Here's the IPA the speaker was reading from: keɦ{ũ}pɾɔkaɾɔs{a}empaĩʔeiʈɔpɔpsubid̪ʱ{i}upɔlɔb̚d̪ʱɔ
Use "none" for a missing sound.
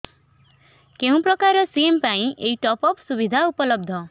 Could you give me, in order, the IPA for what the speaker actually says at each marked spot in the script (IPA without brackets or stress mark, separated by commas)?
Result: ũ, i, a